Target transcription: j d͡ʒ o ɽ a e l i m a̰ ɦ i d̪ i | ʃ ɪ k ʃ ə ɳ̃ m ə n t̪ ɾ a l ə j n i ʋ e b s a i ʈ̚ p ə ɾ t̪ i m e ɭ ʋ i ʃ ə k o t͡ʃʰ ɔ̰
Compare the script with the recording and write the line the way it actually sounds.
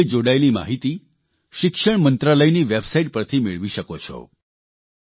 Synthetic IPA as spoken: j d͡ʒ o ɽ a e l i m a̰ ɦ i t̪ i | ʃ ɪ k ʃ ə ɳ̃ m ə n t̪ ɾ a l ə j n i ʋ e b s a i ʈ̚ p ə ɾ t̪ʰ i m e ɭ ʋ i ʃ ə k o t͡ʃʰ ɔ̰